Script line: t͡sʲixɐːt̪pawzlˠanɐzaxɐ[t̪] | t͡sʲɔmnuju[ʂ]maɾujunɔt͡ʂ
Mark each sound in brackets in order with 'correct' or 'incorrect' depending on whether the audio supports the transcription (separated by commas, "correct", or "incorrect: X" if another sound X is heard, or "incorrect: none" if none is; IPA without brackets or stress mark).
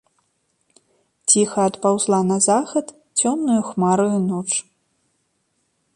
correct, incorrect: x